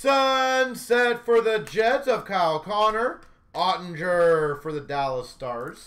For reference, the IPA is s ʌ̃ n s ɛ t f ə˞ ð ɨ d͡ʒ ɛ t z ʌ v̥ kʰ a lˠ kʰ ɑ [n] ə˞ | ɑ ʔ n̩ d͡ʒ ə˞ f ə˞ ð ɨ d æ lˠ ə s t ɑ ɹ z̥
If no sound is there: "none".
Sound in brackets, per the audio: n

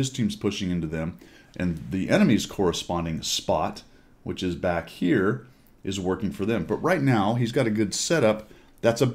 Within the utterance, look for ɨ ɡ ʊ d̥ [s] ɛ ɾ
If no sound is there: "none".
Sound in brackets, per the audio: s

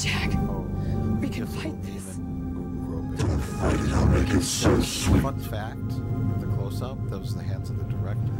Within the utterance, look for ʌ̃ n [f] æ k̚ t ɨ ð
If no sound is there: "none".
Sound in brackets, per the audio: f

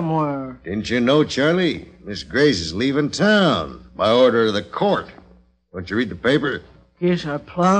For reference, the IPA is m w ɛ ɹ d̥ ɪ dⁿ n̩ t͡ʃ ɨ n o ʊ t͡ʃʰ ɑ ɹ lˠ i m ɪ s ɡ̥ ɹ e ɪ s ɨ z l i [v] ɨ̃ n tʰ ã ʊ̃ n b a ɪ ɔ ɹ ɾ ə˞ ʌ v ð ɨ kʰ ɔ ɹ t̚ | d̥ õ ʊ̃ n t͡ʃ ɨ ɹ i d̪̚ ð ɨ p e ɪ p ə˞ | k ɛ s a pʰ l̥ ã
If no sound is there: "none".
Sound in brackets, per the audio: v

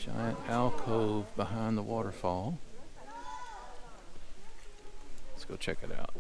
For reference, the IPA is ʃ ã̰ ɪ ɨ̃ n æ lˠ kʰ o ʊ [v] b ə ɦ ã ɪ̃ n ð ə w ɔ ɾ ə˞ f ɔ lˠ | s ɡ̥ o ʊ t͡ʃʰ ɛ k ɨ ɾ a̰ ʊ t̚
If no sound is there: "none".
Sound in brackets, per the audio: v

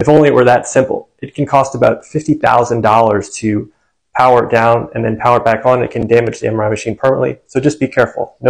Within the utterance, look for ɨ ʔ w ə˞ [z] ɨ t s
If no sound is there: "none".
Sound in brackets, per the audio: ð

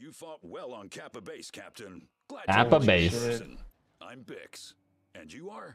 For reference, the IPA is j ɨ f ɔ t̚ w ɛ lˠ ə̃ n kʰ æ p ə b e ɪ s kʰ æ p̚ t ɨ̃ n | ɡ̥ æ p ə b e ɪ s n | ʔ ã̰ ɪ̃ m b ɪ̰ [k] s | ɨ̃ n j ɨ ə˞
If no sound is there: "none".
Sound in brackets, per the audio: k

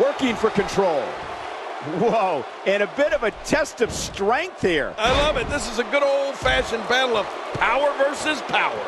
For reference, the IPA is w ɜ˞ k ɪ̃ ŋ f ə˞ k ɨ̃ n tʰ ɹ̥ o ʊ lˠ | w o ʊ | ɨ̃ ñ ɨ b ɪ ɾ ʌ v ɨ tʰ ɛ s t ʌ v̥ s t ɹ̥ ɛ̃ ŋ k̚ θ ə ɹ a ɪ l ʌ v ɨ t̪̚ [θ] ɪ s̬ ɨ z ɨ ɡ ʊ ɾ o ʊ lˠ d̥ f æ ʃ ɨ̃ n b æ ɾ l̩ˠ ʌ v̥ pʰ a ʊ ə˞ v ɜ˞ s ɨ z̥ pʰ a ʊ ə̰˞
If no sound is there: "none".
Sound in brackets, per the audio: ð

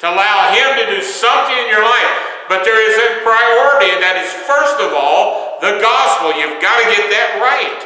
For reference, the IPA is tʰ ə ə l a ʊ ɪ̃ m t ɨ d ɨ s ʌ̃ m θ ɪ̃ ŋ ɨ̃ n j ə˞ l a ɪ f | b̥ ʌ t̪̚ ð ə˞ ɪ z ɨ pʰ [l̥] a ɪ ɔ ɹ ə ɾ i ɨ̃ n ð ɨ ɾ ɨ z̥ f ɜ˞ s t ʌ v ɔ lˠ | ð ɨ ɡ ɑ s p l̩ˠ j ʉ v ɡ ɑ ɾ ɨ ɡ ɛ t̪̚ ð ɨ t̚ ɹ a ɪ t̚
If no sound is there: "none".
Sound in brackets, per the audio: ɹ̥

